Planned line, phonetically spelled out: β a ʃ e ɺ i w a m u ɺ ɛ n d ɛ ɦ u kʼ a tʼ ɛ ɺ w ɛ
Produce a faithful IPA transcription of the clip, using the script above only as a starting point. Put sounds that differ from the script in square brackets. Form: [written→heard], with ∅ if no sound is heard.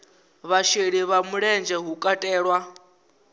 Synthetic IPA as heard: β a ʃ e ɺ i [w→β] a m u ɺ ɛ n [d→d͡ʒ] ɛ ɦ u kʼ a tʼ [ɛ→ɛː] ɺ w [ɛ→a]

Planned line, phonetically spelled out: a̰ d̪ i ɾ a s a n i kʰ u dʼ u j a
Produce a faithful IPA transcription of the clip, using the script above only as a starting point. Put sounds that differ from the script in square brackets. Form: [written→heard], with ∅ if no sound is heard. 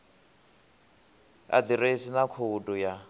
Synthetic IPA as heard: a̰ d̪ i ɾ [a→e] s [a→i] n [i→a] kʰ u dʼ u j a

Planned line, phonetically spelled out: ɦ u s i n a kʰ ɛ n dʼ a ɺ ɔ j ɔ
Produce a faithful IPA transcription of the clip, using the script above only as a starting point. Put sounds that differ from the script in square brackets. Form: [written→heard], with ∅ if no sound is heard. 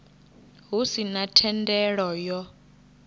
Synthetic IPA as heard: ɦ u s i n a [kʰ→tʰ] ɛ n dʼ [a→ɛ] ɺ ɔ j ɔ

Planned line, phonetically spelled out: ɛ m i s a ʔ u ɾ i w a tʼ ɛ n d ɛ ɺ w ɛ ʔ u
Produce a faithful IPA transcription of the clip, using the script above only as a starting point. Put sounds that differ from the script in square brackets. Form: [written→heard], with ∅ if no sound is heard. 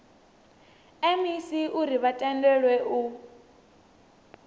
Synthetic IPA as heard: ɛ m i s [a→i] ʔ u ɾ i [w→β] a tʼ ɛ n d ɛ ɺ w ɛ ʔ u

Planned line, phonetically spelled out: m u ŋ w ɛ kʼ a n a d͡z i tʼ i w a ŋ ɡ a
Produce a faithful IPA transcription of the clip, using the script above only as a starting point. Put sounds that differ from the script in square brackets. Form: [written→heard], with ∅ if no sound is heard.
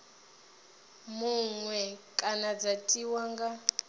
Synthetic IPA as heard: m u ŋ w ɛ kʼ a n a d͡z [i→a] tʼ i w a ŋ ɡ a

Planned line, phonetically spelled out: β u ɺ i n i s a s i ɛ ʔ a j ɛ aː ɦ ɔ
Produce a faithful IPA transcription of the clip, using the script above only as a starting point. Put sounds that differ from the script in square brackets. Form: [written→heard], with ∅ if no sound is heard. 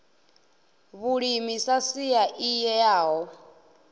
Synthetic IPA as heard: β u ɺ i [n→m] i s a s i [ɛ→a] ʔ [a→i] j ɛ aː ɦ ɔ

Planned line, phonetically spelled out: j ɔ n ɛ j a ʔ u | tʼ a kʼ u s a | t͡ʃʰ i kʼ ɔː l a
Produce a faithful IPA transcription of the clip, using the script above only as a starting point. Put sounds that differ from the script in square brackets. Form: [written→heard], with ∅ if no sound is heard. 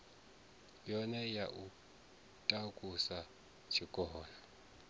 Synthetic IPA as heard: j ɔ n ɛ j a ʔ u | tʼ a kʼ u s a | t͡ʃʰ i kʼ ɔː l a

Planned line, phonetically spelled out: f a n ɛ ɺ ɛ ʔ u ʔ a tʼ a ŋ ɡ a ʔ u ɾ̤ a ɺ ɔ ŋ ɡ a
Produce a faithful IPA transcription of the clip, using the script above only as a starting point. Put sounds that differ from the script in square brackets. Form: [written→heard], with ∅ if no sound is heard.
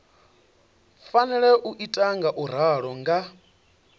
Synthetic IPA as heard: f a n ɛ ɺ ɛ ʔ u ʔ [a→i] tʼ a ŋ ɡ a ʔ u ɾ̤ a ɺ ɔ ŋ ɡ a

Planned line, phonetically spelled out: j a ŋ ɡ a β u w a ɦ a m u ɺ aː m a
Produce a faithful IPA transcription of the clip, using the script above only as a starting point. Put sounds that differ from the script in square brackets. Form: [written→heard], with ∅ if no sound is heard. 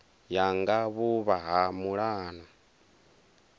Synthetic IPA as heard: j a ŋ ɡ a β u [w→β] a ɦ a m u ɺ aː [m→n] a

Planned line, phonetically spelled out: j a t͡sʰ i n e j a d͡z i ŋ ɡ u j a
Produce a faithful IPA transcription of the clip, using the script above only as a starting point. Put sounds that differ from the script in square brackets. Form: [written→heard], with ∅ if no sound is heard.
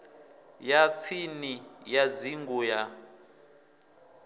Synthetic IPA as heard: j a t͡sʰ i n [e→i] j a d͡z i ŋ ɡ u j a

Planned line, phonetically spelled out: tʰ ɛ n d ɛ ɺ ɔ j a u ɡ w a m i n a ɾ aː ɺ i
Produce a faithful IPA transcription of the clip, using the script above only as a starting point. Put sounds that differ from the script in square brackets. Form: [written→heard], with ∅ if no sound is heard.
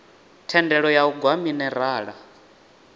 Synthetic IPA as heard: tʰ ɛ n d ɛ ɺ ɔ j a u ɡ w a m i n [a→ɛ] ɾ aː ɺ [i→a]

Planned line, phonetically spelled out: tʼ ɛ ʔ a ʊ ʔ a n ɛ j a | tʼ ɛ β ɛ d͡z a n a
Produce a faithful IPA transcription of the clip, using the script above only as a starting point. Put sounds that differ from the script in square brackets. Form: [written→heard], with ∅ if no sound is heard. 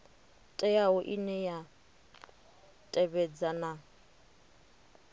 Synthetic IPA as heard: tʼ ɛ [ʔ→∅] a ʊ ʔ [a→i] n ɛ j a | tʼ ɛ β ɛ d͡z a n a

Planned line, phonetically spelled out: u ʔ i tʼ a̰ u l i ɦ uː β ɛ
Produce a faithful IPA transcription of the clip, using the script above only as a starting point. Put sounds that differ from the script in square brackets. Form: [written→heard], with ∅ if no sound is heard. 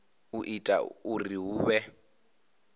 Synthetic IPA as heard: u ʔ i tʼ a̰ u [l→r] i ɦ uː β ɛ

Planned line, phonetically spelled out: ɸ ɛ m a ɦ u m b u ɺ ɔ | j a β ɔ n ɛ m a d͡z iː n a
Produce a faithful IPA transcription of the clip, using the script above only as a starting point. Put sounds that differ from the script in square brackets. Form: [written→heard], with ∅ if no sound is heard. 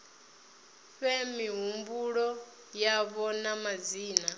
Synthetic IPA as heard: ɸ ɛ m [a→i] ɦ u m b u ɺ ɔ | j a β ɔ n [ɛ→a] m a d͡z iː n a

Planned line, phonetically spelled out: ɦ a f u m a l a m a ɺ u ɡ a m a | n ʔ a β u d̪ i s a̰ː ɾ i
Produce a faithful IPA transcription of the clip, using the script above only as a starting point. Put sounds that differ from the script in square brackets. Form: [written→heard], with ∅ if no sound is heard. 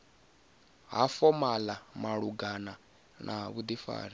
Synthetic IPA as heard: ɦ a f [u→ɔ] m a l a m a ɺ u ɡ a [m→n] a | n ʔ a β u d̪ i [s→f] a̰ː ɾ i

